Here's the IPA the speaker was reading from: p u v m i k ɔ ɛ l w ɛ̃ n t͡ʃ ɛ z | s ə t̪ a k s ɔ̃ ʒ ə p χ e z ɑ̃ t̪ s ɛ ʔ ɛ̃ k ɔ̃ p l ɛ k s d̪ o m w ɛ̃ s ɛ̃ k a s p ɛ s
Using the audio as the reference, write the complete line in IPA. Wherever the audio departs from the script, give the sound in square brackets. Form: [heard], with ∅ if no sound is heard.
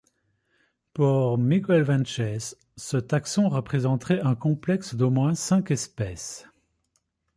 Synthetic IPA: p u [ʁ] m i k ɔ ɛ l [v] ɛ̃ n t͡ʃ ɛ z | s ə t̪ a k s ɔ̃ [ʁ] ə p χ e z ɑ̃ t̪ [χ] ɛ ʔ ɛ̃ k ɔ̃ p l ɛ k s d̪ o m w ɛ̃ s ɛ̃ k [ɛ] s p ɛ s